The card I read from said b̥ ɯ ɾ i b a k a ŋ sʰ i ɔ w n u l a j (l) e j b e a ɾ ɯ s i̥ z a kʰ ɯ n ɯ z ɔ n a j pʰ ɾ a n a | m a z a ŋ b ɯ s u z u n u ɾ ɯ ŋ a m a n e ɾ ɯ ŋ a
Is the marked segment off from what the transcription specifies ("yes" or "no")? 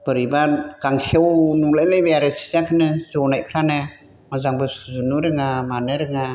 no